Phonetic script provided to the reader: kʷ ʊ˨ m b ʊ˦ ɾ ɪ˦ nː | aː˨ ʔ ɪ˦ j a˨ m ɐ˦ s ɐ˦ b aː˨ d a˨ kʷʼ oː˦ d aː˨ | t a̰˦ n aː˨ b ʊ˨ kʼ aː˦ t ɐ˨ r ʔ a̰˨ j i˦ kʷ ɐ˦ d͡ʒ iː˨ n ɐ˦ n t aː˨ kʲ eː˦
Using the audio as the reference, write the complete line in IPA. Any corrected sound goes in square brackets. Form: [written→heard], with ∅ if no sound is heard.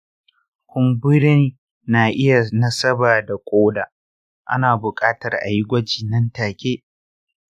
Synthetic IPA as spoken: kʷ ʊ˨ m b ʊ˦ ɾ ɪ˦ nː | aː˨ ʔ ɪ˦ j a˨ [m→n] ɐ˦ s ɐ˦ b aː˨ d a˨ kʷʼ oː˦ d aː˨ | [t→ʔ] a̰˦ n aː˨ b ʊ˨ kʼ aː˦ t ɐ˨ r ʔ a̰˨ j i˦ [kʷ→ɡʷ] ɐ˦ d͡ʒ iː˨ n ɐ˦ n t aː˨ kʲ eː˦